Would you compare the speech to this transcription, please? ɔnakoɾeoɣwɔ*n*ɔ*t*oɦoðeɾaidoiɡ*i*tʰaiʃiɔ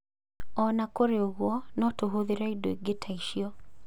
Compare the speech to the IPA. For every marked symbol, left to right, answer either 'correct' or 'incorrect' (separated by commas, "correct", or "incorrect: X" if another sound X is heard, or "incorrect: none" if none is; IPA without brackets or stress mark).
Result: correct, correct, incorrect: e